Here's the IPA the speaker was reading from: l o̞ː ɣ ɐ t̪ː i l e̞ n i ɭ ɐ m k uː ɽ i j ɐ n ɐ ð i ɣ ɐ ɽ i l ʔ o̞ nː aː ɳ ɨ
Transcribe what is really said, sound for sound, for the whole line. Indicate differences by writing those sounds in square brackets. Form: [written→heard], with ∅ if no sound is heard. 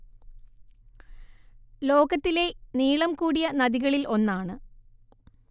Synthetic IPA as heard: l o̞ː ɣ ɐ t̪ː i l e̞ n [i→iː] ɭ ɐ m k uː ɽ i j ɐ n ɐ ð i ɣ ɐ [ɽ→ɭ] i l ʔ o̞ nː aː ɳ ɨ